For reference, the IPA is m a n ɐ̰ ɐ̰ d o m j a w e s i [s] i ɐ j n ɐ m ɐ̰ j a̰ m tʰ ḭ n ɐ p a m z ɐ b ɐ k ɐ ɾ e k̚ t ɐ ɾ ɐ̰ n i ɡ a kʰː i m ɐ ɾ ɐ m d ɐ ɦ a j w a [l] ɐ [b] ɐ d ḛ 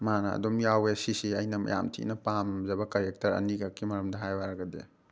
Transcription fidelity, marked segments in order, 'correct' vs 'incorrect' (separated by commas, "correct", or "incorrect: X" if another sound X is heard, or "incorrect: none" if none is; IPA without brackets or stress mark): correct, incorrect: ɾ, incorrect: ɡ